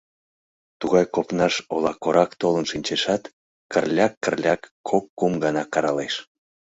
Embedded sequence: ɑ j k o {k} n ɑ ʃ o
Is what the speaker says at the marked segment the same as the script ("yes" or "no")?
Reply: no